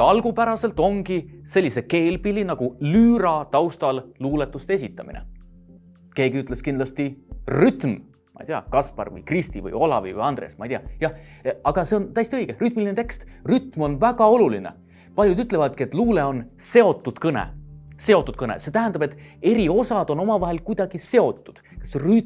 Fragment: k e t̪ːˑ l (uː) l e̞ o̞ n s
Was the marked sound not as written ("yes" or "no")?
no